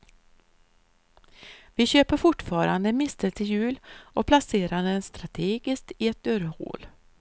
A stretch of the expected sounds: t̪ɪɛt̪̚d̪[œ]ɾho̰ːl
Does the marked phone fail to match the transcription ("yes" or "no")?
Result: no